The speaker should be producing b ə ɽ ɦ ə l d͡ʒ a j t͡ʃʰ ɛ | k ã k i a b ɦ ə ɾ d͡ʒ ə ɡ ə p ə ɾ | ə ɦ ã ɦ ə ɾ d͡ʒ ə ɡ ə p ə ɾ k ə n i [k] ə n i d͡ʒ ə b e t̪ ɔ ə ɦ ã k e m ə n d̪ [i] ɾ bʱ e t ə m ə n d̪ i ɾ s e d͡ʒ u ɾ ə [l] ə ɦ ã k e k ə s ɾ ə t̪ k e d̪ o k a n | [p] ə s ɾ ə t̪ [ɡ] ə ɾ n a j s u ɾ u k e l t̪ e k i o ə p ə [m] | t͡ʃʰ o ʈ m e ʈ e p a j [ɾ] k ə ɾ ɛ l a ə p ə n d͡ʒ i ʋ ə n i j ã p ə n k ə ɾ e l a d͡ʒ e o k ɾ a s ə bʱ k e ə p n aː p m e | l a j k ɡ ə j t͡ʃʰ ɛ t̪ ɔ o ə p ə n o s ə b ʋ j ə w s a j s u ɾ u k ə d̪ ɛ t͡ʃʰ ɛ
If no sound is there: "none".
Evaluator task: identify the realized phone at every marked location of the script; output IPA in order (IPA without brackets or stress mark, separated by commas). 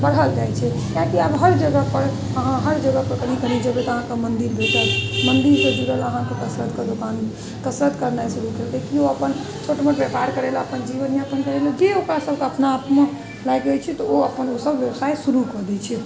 k, i, l, k, k, n, ɾ